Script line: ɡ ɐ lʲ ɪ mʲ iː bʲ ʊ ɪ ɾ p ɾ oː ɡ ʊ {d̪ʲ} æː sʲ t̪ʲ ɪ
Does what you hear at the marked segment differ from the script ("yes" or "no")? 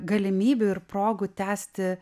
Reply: yes